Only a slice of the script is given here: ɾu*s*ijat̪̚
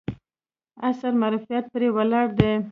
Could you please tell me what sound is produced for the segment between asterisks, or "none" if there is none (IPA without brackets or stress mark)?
f